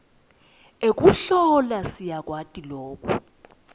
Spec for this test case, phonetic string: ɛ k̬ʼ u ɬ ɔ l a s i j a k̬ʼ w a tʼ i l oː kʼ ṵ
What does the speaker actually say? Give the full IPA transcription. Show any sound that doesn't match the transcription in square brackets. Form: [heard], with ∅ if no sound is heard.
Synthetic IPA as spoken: [e] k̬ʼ u ɬ ɔ l a s i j a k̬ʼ w a tʼ i l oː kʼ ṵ